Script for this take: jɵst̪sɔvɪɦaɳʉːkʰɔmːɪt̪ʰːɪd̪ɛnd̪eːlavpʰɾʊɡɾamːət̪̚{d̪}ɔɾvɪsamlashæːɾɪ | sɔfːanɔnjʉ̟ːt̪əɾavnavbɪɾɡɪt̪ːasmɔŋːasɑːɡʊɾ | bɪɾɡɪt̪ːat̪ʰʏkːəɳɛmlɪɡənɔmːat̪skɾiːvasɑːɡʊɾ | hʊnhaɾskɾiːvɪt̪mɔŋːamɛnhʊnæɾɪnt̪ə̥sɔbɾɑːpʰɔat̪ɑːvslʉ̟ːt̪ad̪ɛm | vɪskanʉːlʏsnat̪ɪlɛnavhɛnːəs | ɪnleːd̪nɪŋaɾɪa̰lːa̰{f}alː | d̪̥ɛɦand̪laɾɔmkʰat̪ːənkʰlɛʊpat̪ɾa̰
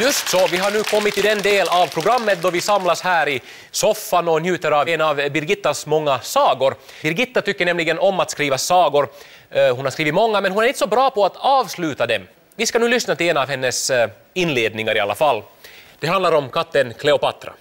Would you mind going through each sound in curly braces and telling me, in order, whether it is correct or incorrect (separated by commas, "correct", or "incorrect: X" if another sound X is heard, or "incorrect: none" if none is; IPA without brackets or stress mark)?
correct, correct